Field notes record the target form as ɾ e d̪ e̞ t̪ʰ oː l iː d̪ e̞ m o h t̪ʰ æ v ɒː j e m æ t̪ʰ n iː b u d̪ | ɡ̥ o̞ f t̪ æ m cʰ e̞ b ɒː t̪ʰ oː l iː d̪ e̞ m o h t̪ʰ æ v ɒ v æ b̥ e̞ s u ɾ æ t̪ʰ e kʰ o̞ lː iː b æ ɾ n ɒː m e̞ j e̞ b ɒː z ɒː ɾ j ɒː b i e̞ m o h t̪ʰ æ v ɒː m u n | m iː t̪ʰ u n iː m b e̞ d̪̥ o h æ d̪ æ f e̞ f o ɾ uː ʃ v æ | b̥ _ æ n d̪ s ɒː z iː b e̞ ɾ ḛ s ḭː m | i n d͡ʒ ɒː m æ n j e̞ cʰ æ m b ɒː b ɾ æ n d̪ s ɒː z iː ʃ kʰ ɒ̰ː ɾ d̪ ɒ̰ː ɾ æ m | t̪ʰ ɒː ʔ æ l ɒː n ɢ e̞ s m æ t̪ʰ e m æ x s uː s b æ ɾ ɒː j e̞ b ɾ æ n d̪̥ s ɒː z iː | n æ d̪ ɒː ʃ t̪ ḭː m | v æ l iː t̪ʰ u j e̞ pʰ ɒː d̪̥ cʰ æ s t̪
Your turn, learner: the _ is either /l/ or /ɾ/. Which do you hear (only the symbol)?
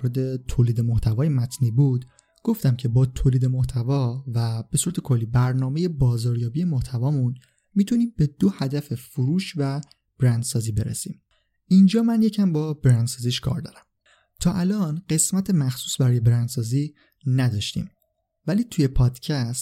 ɾ